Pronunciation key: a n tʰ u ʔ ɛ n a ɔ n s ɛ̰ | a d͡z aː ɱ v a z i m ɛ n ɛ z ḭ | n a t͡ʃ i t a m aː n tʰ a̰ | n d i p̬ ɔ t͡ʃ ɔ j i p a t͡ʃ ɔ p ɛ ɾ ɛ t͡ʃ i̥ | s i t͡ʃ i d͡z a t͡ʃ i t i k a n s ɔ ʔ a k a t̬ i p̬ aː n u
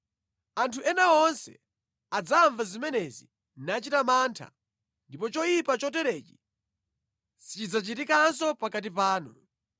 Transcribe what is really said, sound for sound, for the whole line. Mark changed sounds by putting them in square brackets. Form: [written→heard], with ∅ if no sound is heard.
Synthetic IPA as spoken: a n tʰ u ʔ ɛ n a ɔ n s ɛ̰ | a d͡z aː ɱ v a z i m ɛ n ɛ z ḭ | n a t͡ʃ i t a m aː n tʰ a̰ | n d i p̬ ɔ t͡ʃ ɔ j i p a t͡ʃ ɔ [p→t] ɛ ɾ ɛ t͡ʃ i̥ | s i t͡ʃ i d͡z a t͡ʃ i t i k a n s ɔ [ʔ→p] a k a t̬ i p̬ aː n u